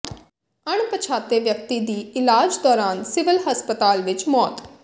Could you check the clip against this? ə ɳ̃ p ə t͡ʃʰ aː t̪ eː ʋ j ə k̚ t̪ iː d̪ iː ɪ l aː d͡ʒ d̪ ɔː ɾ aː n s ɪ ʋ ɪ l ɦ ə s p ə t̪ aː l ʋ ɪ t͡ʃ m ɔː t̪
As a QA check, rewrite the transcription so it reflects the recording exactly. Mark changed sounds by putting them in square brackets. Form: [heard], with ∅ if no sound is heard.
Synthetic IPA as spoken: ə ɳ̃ p ə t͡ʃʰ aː t̪ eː ʋ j ə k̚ t̪ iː d̪ iː ɪ l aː d͡ʒ d̪ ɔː ɾ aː n s ɪ ʋ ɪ l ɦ ə s p ə t̪ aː l ʋ ɪ t͡ʃ m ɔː t̪